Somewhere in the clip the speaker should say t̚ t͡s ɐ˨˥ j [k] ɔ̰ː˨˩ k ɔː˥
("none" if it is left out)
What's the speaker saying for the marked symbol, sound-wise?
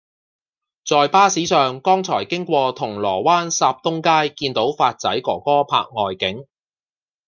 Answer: k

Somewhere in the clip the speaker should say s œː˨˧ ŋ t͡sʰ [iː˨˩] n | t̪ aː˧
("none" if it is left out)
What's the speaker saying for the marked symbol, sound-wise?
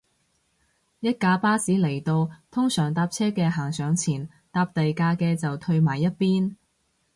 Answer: iː˨˩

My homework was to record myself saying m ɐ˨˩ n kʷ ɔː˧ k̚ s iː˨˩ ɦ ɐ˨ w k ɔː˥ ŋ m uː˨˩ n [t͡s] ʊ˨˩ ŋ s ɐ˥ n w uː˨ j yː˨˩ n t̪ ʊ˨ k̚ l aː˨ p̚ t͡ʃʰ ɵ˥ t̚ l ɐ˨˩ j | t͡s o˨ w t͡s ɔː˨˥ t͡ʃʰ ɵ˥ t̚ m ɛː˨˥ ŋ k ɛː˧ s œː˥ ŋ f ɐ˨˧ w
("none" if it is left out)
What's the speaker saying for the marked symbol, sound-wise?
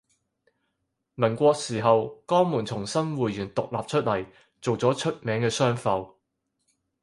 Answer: t͡sʰ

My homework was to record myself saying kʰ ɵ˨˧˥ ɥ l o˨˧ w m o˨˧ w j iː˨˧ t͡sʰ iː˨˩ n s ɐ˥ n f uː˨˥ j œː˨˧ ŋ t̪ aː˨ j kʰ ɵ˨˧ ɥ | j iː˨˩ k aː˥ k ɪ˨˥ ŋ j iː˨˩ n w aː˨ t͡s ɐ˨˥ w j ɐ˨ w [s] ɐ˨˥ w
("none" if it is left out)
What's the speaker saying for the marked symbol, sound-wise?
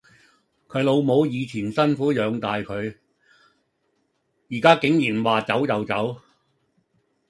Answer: t͡s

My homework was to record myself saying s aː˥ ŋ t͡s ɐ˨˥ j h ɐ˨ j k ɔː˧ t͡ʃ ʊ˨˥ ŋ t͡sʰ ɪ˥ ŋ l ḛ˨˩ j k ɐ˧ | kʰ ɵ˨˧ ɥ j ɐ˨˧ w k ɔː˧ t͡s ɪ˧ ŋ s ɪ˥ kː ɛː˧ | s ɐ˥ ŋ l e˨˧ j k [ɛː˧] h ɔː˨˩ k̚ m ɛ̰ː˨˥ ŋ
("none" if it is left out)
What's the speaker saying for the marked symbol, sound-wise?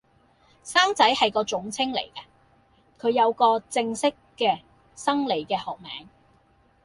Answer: ɛː˧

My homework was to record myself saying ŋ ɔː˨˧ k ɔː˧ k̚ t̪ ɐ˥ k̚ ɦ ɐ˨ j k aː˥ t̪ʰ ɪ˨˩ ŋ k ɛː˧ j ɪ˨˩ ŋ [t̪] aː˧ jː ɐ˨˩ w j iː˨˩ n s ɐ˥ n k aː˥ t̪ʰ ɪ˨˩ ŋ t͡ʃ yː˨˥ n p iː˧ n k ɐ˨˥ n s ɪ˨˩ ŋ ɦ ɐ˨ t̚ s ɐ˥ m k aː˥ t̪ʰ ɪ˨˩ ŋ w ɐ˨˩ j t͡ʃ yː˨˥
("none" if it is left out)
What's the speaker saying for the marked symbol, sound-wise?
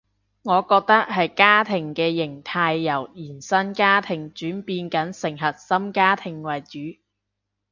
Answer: t̪ʰ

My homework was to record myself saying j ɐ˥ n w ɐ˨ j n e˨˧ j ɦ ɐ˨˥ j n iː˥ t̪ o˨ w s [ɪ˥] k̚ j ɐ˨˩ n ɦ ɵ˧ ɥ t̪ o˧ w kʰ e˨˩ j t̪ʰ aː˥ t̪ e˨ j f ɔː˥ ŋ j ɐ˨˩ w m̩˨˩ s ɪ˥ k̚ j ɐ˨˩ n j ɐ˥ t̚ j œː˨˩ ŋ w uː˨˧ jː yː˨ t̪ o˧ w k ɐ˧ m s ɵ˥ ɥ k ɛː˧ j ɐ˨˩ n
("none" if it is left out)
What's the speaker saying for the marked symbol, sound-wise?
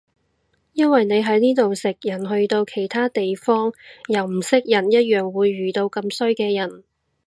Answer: ɪ˨˩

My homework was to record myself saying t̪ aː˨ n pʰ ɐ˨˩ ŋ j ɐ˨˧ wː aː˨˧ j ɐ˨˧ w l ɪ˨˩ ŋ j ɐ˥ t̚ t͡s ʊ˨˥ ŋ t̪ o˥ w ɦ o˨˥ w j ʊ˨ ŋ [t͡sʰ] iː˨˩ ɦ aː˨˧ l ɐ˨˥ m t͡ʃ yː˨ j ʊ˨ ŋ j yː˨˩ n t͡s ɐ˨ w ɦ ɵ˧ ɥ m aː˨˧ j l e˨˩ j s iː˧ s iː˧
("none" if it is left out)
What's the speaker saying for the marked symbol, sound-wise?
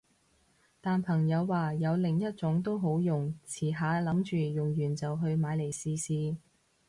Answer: t͡sʰ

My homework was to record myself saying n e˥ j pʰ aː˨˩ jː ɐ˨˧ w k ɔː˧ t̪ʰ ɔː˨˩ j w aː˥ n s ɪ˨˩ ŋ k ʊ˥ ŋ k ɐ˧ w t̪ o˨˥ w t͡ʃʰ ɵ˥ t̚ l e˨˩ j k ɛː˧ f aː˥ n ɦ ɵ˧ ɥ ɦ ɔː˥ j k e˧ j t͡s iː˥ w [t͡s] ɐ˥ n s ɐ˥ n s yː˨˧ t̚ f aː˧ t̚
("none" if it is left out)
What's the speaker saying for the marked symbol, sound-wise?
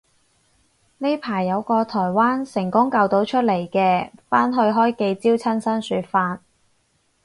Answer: t͡sʰ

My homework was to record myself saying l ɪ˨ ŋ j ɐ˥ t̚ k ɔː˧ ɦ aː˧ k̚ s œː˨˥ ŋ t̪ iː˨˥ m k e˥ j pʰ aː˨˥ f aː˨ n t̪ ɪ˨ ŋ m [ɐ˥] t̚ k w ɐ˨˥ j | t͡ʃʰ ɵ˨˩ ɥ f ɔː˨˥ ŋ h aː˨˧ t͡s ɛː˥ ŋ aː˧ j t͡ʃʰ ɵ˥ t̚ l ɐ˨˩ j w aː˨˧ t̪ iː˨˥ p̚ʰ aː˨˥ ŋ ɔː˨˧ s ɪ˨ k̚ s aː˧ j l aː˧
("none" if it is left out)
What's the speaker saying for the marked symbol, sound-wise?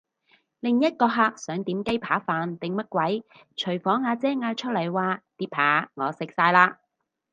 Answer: ɐ˥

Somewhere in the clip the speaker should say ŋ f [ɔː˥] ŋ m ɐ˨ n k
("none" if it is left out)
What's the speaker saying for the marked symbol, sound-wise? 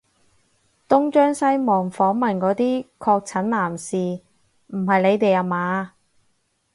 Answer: ɔː˨˥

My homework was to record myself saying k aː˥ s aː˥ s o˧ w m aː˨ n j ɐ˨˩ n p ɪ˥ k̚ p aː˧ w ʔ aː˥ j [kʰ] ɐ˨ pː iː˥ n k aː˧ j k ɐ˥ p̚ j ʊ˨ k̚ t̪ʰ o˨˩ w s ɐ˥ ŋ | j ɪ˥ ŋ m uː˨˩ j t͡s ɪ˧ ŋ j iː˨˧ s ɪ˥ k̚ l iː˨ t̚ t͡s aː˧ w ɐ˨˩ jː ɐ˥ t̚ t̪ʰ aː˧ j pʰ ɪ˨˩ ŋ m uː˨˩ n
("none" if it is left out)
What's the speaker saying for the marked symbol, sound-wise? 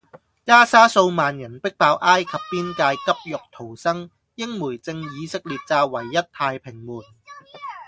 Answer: kʰ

